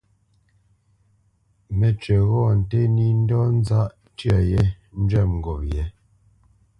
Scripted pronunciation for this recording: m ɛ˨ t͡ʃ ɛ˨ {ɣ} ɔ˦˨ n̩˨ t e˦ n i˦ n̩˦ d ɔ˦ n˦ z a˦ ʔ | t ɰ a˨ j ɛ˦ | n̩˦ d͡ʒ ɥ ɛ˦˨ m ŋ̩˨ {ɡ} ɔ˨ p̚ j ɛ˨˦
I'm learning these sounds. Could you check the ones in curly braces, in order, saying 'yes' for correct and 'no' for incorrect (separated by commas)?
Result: yes, yes